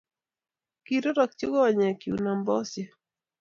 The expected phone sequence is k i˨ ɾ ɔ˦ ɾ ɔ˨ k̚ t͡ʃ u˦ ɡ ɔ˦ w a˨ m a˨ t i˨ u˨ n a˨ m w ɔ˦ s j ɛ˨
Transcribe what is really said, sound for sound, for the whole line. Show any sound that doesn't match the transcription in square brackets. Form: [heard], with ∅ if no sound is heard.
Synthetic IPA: k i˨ ɾ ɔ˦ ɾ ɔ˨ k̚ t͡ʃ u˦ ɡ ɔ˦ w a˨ [ɲ] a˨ [k] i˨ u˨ n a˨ m [b] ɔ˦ s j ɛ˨